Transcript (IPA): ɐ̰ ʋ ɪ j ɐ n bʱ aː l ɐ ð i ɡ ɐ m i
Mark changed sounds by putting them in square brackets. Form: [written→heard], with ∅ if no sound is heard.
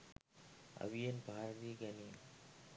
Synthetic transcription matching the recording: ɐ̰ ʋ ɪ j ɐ n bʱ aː [l→ɾ] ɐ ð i ɡ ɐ [m→n] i